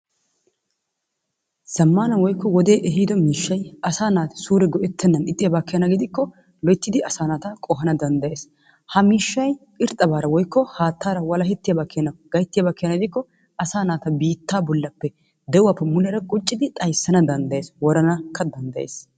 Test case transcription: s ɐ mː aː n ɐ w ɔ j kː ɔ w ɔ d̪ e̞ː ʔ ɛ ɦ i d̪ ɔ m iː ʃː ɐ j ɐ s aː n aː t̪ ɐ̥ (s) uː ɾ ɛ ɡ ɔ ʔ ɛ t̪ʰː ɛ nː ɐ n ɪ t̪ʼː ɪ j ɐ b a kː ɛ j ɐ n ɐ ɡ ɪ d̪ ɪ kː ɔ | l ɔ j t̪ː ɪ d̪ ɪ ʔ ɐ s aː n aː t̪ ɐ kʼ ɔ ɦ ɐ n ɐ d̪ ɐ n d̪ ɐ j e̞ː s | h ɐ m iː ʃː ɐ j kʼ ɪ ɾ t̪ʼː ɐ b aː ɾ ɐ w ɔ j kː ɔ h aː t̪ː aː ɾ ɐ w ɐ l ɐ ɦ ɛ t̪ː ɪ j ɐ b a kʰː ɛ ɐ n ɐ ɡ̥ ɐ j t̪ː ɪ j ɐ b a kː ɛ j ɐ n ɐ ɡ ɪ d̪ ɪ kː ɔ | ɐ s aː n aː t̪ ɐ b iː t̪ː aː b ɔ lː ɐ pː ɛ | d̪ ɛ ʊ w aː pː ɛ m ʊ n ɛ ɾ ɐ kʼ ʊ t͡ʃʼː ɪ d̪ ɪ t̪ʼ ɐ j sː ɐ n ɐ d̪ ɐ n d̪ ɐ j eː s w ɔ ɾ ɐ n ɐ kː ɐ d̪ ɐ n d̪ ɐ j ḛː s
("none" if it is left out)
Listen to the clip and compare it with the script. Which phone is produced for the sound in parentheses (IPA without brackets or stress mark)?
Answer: s